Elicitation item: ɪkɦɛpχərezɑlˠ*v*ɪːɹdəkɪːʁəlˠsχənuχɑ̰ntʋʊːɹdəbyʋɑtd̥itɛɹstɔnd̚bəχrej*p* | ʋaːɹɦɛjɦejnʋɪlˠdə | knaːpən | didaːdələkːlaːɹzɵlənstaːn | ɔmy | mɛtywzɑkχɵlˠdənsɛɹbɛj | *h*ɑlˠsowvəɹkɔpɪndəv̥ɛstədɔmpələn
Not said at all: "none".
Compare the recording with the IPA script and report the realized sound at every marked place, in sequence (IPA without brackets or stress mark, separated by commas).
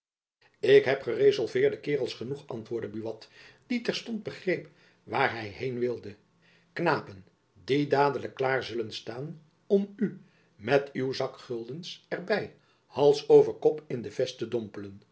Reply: v, p, h